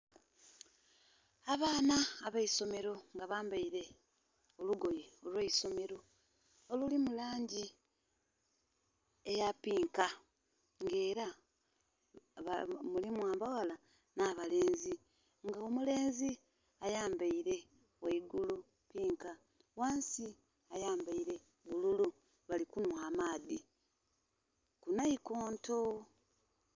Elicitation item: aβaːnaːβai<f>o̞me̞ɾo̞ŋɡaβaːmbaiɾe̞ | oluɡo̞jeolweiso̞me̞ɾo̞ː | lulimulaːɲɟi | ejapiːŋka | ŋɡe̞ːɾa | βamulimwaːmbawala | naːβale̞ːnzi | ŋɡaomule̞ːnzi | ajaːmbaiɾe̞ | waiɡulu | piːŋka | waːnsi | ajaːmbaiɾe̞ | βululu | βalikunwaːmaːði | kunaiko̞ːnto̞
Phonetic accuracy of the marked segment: incorrect: s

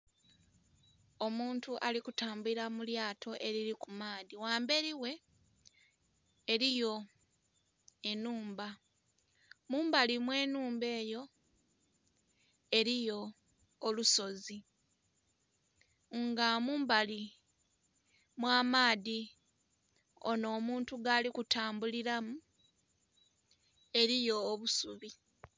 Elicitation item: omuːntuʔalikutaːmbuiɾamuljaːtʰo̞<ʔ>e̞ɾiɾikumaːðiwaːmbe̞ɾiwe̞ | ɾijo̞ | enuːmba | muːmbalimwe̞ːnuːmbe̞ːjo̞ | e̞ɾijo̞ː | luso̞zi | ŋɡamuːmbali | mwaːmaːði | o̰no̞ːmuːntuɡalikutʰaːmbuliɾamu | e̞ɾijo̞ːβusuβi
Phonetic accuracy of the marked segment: correct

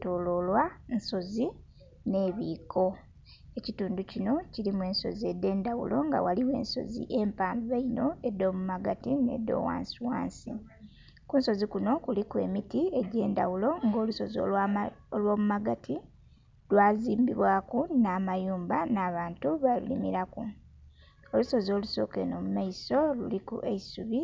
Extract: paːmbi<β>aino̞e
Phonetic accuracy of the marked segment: correct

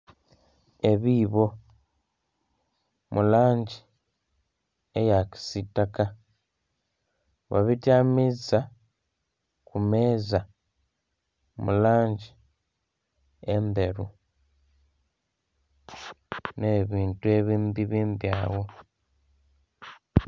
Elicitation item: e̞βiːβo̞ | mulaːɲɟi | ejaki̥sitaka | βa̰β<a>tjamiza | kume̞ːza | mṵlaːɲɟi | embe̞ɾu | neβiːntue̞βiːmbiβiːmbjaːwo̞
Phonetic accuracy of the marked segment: incorrect: i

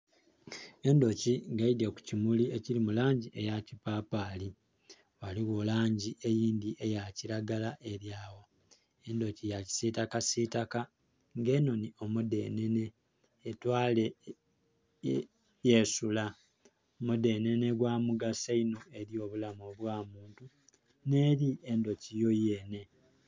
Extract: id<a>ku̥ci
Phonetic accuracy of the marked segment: incorrect: e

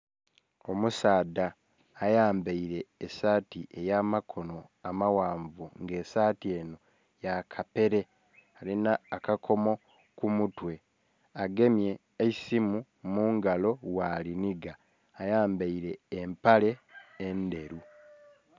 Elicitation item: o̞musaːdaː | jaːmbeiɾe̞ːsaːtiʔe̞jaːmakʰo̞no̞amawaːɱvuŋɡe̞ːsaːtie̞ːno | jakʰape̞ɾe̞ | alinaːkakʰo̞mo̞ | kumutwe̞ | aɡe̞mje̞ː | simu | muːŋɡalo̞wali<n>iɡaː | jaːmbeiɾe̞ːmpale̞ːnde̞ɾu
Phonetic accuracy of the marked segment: correct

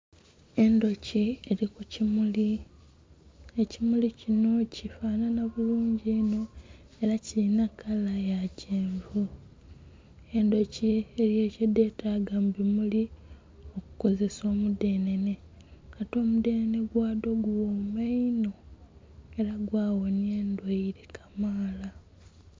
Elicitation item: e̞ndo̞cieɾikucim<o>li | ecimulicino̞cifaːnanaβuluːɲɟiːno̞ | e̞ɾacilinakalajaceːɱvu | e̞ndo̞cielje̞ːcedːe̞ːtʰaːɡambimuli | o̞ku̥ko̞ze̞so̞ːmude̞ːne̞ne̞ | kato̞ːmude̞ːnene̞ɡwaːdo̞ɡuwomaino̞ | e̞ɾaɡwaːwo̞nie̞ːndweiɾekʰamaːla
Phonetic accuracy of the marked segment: incorrect: u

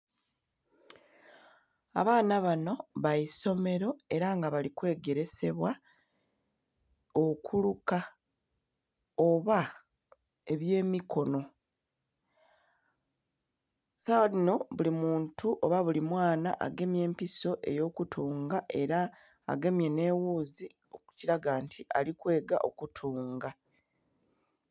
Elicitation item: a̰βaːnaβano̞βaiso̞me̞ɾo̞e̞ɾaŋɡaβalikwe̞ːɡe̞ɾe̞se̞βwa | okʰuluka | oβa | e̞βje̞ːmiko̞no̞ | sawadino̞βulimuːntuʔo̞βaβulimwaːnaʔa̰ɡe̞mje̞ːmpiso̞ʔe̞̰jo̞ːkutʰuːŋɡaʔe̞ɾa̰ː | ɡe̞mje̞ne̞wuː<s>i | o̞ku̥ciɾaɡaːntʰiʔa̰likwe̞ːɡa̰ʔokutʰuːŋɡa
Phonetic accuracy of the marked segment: incorrect: z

